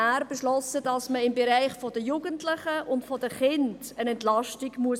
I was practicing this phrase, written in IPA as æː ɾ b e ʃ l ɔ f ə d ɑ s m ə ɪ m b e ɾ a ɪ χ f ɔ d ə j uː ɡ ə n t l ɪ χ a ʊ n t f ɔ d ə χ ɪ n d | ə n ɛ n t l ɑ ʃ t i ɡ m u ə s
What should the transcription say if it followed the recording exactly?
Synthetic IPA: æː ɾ b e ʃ l ɔ s ə d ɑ s m ə ɪ m b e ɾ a ɪ χ f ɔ d ə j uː ɡ ə n t l ɪ χ ə ʊ n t f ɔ d ə χ ɪ n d | ə n ɛ n t l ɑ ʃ t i ɡ m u ə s